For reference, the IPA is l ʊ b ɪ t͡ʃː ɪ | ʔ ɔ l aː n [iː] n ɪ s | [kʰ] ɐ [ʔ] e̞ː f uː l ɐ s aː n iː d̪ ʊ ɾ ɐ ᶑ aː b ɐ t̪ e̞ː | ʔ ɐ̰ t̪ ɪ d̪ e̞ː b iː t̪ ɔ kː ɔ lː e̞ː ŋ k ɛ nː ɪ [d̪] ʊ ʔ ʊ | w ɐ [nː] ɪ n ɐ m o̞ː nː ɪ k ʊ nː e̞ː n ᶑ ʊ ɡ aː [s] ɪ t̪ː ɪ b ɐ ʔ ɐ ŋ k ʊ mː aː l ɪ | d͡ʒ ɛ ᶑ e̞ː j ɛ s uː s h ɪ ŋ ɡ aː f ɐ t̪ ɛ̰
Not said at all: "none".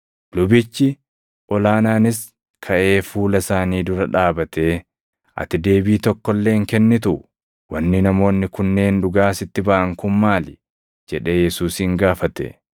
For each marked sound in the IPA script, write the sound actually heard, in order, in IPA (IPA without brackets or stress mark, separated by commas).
aː, kʰ, ʔ, t̪, nː, s